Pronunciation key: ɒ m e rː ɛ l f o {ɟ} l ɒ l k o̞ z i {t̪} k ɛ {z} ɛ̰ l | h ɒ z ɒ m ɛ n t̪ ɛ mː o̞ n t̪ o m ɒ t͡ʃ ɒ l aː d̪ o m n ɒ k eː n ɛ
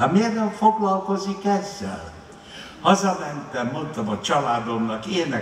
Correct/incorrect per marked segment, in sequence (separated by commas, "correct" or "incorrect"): incorrect, incorrect, incorrect